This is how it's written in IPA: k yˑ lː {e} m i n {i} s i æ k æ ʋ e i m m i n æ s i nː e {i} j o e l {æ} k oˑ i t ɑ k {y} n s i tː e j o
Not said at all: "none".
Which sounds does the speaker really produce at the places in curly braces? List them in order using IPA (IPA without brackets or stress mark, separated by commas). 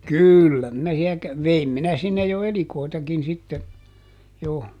æ, æ, j, i, i